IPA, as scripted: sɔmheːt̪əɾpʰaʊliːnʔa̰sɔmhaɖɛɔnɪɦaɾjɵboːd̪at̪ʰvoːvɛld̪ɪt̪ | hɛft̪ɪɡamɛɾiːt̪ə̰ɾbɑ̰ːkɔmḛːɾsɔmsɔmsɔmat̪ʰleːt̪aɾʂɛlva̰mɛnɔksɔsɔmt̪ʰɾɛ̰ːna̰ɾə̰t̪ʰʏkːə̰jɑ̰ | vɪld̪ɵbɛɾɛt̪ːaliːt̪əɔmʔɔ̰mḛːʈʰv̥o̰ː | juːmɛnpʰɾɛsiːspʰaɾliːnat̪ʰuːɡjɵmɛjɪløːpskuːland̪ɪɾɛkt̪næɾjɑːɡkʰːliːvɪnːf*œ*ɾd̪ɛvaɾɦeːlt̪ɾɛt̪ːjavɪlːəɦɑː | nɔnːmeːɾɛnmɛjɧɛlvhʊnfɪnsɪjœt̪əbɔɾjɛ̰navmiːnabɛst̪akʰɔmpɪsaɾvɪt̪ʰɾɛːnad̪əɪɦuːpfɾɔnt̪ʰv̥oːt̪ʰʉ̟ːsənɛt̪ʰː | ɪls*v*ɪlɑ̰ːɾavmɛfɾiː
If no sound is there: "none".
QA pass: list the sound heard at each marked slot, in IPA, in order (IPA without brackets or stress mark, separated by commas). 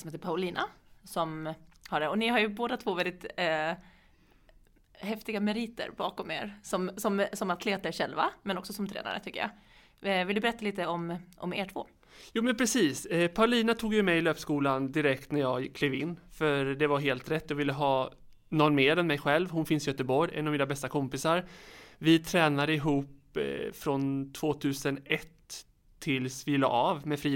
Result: œ, v